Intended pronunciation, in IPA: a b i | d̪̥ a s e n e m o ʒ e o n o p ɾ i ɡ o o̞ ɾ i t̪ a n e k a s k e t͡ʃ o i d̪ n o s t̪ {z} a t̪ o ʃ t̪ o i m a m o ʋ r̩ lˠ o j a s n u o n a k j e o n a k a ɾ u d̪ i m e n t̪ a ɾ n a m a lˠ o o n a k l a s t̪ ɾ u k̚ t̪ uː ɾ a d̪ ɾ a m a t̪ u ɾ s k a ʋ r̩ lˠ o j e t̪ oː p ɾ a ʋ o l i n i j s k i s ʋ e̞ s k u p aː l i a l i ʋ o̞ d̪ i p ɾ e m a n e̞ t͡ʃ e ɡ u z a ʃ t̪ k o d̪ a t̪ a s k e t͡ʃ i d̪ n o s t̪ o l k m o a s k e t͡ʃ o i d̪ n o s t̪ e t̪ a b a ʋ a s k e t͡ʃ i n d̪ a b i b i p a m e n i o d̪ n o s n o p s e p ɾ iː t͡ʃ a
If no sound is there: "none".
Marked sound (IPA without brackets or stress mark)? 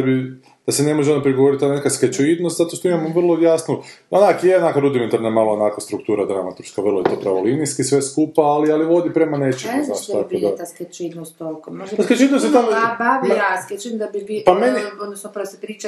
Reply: z